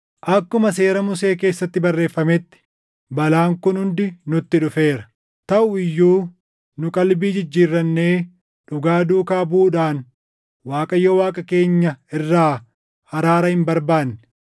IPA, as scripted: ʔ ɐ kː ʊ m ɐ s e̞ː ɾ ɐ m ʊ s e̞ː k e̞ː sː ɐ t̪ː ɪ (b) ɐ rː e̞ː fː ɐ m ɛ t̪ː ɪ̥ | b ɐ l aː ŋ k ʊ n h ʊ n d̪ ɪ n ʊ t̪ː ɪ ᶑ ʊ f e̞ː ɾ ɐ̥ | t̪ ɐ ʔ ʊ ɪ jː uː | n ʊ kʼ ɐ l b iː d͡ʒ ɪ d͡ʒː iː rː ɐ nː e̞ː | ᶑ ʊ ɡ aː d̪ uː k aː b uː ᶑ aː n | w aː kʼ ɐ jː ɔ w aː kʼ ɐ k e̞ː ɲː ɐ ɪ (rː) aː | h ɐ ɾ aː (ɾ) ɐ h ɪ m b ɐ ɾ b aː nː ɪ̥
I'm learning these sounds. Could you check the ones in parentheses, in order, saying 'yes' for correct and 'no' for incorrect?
yes, yes, yes

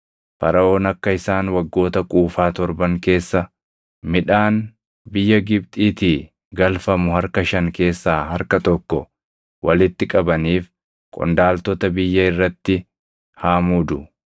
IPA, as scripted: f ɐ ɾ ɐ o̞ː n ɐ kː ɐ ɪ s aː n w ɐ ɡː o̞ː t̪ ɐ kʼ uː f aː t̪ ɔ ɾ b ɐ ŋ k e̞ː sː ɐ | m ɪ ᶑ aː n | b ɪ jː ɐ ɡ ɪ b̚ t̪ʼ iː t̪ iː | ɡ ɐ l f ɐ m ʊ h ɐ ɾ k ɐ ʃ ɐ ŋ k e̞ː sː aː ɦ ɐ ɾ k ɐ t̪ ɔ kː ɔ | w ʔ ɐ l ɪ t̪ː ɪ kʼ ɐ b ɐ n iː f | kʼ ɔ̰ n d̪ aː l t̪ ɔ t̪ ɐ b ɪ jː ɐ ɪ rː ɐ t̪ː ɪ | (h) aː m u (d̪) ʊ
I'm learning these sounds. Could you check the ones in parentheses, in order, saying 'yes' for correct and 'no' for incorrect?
yes, yes

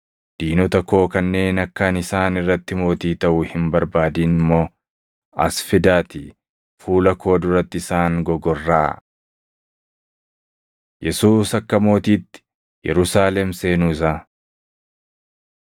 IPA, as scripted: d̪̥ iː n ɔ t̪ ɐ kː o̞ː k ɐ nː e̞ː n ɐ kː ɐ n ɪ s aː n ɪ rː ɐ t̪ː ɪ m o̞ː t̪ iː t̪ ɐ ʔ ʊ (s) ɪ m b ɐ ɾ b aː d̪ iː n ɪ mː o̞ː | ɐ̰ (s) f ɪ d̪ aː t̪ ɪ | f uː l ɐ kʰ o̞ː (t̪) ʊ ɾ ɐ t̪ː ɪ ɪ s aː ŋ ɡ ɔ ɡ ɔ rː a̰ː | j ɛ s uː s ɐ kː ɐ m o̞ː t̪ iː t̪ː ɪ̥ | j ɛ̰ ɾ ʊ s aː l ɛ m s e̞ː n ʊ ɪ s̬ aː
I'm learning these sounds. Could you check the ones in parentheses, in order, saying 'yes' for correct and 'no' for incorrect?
no, yes, no

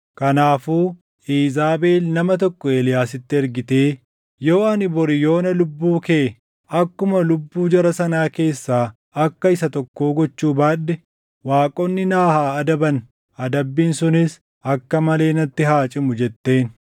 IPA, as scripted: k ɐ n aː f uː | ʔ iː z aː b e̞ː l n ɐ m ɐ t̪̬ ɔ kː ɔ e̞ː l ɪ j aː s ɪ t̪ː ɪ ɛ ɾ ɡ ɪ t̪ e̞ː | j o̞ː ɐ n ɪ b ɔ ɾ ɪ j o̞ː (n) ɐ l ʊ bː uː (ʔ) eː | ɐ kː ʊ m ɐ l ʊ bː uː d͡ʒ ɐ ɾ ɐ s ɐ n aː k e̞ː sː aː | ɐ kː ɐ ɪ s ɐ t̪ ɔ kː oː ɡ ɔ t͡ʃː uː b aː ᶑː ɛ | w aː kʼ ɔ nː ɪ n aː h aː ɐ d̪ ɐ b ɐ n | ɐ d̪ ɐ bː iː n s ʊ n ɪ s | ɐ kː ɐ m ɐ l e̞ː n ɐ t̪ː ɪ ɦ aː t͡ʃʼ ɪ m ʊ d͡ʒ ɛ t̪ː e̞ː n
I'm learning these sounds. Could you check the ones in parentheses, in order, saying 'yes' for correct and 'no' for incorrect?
yes, no

